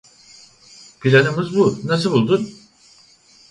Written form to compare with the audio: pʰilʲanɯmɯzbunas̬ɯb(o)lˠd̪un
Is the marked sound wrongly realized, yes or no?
yes